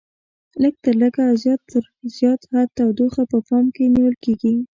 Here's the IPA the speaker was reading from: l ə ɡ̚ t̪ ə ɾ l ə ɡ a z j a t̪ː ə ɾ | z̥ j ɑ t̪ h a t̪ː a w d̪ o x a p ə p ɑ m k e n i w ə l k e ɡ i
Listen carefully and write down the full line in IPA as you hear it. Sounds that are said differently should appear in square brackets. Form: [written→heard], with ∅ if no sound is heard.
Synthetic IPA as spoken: l ə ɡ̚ t̪ ə ɾ l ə ɡ a z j [a→ɑ] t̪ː ə ɾ | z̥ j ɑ t̪ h a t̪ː a w d̪ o x a p ə p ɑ m k e n i w ə l k e ɡ i